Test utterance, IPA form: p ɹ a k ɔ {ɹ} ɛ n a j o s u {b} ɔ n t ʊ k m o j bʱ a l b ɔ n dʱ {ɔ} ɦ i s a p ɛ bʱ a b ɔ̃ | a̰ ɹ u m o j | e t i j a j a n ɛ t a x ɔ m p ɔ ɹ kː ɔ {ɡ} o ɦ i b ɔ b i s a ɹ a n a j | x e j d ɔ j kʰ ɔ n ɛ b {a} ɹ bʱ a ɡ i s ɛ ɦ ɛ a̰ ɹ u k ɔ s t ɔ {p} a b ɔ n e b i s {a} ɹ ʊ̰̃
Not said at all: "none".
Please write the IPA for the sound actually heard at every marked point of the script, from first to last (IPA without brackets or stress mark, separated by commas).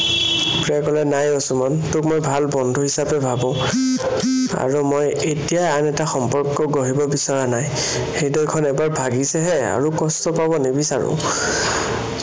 l, m, u, ɡ, a, p, a